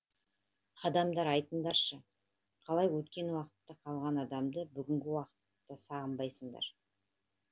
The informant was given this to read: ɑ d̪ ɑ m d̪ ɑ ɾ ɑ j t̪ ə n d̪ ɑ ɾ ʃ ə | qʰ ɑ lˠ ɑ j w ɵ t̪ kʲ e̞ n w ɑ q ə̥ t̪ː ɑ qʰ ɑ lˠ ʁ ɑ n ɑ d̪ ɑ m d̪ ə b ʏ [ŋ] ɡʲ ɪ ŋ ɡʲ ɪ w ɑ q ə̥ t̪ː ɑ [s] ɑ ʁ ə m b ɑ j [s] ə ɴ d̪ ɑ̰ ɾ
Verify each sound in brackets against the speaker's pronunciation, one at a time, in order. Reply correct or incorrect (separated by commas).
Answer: incorrect, correct, correct